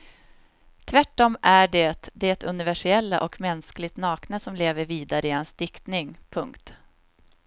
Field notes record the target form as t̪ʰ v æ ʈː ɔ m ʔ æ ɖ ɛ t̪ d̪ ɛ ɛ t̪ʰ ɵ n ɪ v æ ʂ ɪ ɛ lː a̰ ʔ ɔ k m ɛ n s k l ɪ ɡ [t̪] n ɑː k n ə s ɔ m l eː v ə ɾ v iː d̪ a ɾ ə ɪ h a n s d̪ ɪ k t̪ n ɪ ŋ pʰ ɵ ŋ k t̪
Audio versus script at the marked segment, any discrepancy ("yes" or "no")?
no